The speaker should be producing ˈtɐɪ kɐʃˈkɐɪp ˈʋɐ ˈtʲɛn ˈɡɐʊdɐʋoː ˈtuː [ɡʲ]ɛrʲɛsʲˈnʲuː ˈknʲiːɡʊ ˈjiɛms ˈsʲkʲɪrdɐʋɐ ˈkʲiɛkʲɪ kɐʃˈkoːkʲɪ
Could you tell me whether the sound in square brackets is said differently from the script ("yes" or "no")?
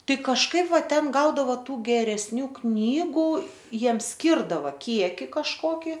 no